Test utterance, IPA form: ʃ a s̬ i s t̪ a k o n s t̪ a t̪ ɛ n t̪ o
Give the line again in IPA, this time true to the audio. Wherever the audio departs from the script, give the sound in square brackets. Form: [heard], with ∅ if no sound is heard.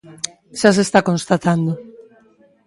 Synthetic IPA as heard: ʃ a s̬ [e] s t̪ a k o n s t̪ a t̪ [a] n [d̪] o